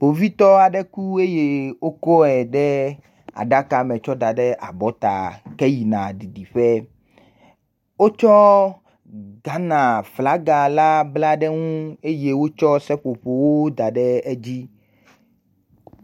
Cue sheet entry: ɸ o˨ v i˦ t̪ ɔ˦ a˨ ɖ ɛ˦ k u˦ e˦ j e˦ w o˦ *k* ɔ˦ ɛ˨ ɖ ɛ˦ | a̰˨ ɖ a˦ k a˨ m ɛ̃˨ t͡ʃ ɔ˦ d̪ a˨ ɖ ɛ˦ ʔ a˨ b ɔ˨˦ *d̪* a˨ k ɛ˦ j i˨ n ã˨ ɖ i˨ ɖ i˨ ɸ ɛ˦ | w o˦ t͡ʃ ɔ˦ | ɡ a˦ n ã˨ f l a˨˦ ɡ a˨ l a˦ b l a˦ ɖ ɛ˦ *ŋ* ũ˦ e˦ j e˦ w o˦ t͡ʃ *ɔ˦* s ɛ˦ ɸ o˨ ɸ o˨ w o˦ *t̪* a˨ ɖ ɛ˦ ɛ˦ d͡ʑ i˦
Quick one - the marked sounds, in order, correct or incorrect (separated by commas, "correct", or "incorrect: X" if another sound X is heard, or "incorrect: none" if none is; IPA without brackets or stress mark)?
correct, incorrect: t̪, correct, correct, incorrect: d̪